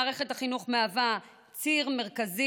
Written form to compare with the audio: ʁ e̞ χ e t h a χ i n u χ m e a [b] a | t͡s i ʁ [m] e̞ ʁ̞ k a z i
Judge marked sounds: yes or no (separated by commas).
no, yes